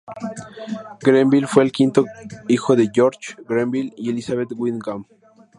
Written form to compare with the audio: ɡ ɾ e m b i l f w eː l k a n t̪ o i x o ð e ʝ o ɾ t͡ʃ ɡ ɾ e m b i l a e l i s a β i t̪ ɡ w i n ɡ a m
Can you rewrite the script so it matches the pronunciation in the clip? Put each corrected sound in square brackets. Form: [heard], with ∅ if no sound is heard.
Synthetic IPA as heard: ɡ ɾ e m b i l f w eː l k [i] n t̪ o i x o ð e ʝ o ɾ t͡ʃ ɡ ɾ e m b i l [i] e l i s a β [e] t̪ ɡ w i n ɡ a m